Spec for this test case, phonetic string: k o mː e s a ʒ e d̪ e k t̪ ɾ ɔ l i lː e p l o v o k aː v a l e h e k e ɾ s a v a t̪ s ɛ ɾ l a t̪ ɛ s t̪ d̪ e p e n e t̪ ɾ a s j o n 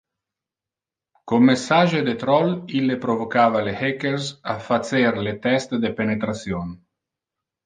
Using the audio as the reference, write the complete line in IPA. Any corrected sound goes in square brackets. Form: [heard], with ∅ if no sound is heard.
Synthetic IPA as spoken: k o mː e s a ʒ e d̪ e [∅] t̪ ɾ ɔ l i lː e p [ɾ] o v o k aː v a l e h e k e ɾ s a [f] a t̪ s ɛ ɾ l [e] t̪ ɛ s t̪ d̪ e p e n e t̪ ɾ a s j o n